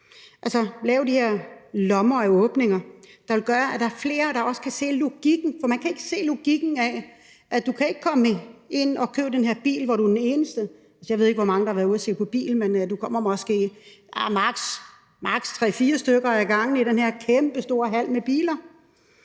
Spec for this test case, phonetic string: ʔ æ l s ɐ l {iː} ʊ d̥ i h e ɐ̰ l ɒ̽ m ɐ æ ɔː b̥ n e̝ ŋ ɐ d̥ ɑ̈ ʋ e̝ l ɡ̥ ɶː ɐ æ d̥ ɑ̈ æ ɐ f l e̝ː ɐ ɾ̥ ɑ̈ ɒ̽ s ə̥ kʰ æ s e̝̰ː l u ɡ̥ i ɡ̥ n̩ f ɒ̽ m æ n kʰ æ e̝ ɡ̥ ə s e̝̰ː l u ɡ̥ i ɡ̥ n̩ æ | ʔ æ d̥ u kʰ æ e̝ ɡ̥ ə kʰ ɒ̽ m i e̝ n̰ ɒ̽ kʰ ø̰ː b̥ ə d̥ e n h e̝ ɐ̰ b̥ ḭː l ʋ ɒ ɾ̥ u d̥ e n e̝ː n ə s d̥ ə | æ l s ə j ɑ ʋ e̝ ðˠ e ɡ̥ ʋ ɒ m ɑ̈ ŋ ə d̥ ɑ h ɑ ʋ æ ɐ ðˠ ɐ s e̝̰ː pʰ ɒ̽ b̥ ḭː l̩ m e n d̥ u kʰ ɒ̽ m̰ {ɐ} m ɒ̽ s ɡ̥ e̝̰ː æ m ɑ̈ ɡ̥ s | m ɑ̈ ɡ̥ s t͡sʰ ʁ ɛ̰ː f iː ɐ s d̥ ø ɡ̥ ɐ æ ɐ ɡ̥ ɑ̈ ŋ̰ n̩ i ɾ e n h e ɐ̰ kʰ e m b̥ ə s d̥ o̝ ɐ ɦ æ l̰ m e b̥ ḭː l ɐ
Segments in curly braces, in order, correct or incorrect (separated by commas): incorrect, correct